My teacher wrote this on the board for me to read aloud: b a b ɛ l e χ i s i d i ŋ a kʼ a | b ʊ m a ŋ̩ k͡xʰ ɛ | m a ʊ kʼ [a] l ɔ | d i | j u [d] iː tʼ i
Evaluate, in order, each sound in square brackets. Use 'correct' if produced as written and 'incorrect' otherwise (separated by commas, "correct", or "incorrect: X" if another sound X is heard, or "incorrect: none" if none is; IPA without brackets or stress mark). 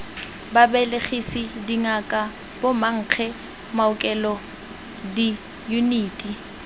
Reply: incorrect: ɛ, incorrect: n